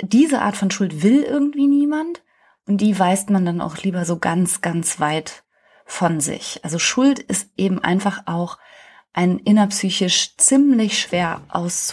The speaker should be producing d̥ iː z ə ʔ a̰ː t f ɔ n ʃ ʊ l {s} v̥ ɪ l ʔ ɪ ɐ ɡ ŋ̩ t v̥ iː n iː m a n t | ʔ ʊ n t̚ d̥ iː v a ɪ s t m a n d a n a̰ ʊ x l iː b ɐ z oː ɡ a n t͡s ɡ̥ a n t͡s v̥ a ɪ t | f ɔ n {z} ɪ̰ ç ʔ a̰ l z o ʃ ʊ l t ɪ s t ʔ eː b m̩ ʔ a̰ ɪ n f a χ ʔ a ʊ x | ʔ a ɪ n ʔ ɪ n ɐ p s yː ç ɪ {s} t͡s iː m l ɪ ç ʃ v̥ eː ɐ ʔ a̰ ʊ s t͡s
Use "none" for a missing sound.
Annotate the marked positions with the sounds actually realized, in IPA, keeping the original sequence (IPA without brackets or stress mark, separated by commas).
t, z, ʃ